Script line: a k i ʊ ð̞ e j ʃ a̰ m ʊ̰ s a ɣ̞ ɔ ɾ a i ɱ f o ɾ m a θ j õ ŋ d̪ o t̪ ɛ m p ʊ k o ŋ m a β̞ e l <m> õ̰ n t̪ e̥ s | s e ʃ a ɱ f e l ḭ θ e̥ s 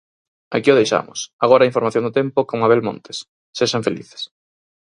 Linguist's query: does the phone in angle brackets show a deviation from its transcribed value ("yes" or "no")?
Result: no